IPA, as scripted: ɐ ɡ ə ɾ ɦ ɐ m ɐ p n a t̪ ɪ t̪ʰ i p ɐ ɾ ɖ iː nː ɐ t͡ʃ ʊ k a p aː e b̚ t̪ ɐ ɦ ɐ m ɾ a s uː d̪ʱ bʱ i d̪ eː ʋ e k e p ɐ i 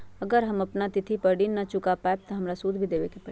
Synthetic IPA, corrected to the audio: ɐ ɡ ə ɾ ɦ ɐ m ɐ p n a t̪ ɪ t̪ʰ i p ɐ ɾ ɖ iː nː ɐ t͡ʃ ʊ k a p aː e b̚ t̪ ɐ ɦ ɐ m ɾ a s uː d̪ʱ bʱ i d̪ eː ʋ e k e p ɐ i